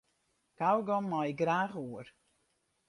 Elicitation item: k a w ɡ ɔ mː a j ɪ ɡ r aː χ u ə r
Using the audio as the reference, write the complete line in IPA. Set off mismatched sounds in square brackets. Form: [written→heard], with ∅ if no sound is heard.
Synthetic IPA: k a w ɡ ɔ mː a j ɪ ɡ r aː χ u ə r